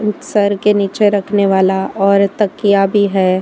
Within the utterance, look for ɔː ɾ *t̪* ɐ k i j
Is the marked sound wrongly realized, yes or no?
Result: no